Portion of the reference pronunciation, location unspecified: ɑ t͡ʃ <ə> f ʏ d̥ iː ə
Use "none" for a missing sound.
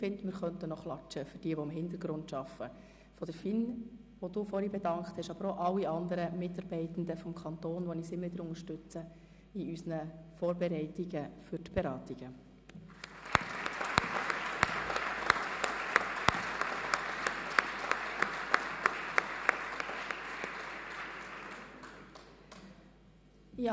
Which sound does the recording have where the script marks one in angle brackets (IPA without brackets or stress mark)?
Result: ə